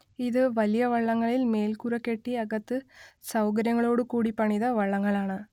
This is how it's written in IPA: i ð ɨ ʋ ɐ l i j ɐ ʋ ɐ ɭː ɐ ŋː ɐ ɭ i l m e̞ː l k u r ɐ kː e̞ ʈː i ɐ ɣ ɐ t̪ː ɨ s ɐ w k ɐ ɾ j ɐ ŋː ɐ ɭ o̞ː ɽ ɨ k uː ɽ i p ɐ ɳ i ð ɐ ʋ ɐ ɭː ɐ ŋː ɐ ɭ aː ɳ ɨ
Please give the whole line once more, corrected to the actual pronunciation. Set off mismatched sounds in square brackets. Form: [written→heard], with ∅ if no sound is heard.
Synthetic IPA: i ð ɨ ʋ ɐ l i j ɐ ʋ ɐ ɭː ɐ ŋː ɐ ɭ i l m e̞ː l k u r ɐ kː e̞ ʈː i ɐ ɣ ɐ t̪ː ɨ s ɐ w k ɐ ɾ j ɐ ŋː ɐ ɭ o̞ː ɽ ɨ k uː ɽ i p ɐ ɳ i ð ɐ ʋ ɐ ɭː ɐ ŋː ɐ ɭ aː ɳ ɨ

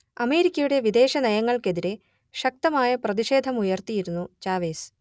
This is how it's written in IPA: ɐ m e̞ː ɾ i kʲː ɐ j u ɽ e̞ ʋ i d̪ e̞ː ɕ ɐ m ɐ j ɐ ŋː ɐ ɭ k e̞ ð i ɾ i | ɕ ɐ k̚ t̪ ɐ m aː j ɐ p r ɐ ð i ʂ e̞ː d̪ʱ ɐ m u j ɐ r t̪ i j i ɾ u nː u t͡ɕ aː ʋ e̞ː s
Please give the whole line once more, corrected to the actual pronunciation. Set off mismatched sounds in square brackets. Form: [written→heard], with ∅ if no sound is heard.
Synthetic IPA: ɐ m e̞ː ɾ i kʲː ɐ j u ɽ e̞ ʋ i d̪ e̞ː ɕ ɐ [m→n] ɐ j ɐ ŋː ɐ ɭ k e̞ ð i ɾ [i→e] | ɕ ɐ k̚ t̪ ɐ m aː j ɐ p r ɐ ð i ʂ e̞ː d̪ʱ ɐ m u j ɐ r t̪ i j i ɾ u nː u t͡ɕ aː ʋ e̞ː s

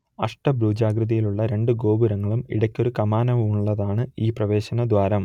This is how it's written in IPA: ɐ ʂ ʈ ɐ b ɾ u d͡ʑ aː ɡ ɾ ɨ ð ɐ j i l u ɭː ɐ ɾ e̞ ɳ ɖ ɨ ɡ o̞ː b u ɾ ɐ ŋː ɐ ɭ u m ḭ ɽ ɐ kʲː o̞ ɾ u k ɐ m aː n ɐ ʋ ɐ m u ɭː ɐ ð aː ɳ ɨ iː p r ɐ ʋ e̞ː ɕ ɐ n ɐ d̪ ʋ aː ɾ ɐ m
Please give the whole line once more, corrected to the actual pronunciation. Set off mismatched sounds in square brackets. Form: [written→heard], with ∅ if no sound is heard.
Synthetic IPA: ɐ ʂ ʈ ɐ b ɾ [u→uː] d͡ʑ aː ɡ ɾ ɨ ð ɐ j i l u ɭː ɐ ɾ e̞ ɳ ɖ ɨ ɡ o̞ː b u ɾ ɐ ŋː ɐ ɭ u m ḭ ɽ ɐ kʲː o̞ ɾ u k ɐ m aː n ɐ ʋ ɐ m u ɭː ɐ ð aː ɳ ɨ iː p r ɐ ʋ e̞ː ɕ ɐ n ɐ d̪ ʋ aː ɾ ɐ m

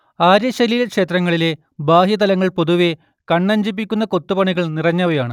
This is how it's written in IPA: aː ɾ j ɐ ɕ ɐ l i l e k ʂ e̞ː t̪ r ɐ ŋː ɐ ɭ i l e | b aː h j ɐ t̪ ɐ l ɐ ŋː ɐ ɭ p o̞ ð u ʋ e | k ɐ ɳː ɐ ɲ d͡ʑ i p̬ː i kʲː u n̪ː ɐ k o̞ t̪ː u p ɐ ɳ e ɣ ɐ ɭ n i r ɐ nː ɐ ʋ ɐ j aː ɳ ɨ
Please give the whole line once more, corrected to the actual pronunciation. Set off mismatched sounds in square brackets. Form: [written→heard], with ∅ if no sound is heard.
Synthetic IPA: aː ɾ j ɐ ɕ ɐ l i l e k ʂ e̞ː t̪ r ɐ ŋː ɐ ɭ i l e | b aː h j ɐ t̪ ɐ l ɐ ŋː ɐ ɭ p o̞ ð u ʋ e | k ɐ ɳː ɐ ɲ d͡ʑ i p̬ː i kʲː u n̪ː ɐ k o̞ t̪ː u p ɐ ɳ [e→i] ɣ ɐ ɭ n i r ɐ [nː→ɲː] ɐ ʋ ɐ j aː ɳ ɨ

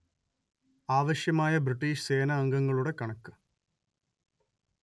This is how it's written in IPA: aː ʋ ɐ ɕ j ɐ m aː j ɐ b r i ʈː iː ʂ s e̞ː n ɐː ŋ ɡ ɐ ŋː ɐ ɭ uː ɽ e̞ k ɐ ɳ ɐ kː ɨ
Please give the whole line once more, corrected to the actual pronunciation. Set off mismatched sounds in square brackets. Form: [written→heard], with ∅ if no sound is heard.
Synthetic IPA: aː ʋ ɐ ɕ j ɐ m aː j ɐ b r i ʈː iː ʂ s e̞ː n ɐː ŋ ɡ ɐ ŋː ɐ ɭ [uː→u] ɽ e̞ k ɐ ɳ ɐ kː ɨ

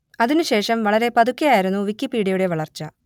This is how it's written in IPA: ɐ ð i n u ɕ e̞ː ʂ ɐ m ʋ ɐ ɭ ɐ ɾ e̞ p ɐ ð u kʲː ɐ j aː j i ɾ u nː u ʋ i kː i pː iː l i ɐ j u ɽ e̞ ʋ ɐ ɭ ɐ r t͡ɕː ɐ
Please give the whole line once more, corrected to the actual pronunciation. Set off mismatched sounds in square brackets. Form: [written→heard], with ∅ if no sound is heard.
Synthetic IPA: ɐ ð i n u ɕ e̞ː ʂ ɐ m ʋ ɐ ɭ ɐ ɾ e̞ p ɐ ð u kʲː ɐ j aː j i ɾ u nː u ʋ i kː i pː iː [l→ɽ] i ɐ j u ɽ e̞ ʋ ɐ ɭ ɐ r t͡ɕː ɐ

